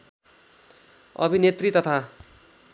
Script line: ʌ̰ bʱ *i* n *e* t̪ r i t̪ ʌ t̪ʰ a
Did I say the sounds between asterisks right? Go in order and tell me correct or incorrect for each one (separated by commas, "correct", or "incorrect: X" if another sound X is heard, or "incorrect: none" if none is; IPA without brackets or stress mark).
correct, correct